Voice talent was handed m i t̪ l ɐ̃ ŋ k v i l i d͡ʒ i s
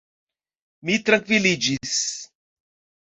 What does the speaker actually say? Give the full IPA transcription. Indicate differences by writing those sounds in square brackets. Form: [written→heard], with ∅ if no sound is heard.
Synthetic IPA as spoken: m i t̪ [l→ɾ] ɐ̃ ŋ k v i l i d͡ʒ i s